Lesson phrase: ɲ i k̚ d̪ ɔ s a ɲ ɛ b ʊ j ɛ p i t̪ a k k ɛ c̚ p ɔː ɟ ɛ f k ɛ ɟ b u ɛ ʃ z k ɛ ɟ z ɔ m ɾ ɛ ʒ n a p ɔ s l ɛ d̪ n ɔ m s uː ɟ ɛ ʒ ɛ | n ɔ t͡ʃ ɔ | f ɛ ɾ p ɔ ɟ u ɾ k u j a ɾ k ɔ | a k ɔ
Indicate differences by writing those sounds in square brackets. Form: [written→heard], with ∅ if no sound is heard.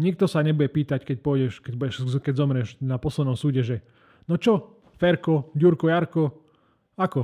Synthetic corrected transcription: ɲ i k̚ [d̪→t̪] ɔ s a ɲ ɛ b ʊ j ɛ p [i→iː] t̪ a [k→c] k ɛ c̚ p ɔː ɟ ɛ [f→ʃ] k ɛ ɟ b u ɛ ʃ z k ɛ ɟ z ɔ m ɾ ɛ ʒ n a p ɔ s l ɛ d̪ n ɔ m s uː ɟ ɛ ʒ ɛ | n ɔ t͡ʃ ɔ | f ɛ ɾ [p→k] ɔ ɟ u ɾ k [u→ɔ] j a ɾ k ɔ | a k ɔ